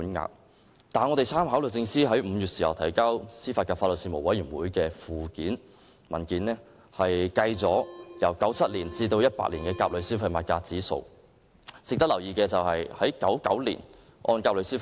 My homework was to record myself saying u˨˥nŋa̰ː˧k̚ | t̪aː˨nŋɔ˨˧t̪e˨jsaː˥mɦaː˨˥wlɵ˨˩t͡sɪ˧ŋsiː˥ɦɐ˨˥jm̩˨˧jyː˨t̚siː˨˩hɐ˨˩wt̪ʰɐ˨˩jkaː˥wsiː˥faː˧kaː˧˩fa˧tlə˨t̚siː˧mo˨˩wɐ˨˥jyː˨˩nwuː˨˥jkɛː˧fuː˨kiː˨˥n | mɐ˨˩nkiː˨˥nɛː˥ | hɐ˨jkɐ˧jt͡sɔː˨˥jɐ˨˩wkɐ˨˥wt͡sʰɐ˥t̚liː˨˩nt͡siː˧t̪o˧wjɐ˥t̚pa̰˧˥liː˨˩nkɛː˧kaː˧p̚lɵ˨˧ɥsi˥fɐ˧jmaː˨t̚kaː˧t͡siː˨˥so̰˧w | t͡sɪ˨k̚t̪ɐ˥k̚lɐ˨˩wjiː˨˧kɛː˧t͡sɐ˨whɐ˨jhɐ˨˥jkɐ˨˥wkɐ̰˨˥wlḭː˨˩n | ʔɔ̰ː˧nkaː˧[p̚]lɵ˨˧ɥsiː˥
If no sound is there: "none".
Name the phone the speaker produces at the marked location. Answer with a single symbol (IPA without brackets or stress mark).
p̚